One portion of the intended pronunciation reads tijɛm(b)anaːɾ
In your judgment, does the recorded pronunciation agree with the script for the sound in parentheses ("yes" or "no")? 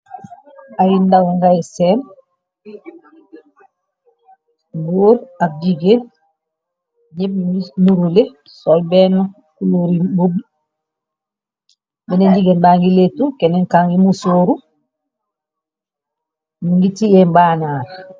yes